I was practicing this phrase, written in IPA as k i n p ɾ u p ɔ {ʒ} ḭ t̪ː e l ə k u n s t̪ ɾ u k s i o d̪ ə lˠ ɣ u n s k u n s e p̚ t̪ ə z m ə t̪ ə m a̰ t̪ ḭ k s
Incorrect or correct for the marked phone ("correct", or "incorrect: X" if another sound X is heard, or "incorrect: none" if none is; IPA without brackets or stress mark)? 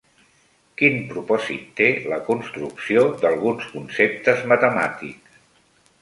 incorrect: z